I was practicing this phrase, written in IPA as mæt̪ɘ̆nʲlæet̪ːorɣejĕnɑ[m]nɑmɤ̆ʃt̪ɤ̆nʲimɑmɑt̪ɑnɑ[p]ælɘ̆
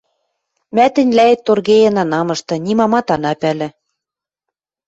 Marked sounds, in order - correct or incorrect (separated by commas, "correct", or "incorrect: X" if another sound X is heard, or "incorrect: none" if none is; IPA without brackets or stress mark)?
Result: incorrect: none, correct